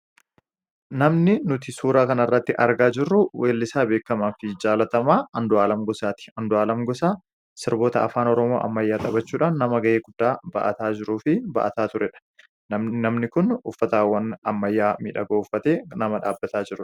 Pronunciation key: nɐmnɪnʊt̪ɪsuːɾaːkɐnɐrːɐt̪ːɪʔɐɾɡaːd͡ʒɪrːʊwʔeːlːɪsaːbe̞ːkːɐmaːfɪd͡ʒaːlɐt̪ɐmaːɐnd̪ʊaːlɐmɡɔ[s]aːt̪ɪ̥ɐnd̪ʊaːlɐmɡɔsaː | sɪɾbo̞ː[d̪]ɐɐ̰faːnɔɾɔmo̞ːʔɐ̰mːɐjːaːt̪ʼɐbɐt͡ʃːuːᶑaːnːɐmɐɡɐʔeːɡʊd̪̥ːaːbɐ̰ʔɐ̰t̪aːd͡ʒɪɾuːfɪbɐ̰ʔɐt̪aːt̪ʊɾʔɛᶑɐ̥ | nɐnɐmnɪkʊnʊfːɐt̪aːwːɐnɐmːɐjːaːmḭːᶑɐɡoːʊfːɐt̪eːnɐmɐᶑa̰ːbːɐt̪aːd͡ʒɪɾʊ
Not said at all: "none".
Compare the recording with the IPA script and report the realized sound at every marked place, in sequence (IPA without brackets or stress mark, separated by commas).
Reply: s, t̪